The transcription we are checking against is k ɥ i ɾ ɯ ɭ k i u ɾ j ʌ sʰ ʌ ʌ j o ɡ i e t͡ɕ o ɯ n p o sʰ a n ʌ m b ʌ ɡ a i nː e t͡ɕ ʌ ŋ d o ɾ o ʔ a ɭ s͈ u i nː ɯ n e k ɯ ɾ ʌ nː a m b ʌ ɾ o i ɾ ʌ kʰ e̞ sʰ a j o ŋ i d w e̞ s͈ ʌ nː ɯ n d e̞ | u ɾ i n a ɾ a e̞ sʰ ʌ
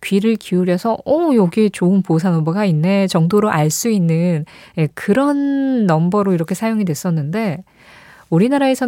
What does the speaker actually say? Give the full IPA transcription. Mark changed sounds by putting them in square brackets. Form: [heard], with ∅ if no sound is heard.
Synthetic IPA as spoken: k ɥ i ɾ ɯ ɭ k i u ɾ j ʌ sʰ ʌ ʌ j o ɡ i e t͡ɕ o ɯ n p o sʰ a n ʌ m b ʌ ɡ a i nː e t͡ɕ ʌ ŋ d o ɾ o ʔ a ɭ s͈ u i nː ɯ n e k ɯ ɾ ʌ nː [ʌ] m b ʌ ɾ o i ɾ ʌ kʰ e̞ sʰ a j o ŋ i d w e̞ s͈ ʌ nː ɯ n d e̞ | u ɾ i n a ɾ a e̞ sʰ ʌ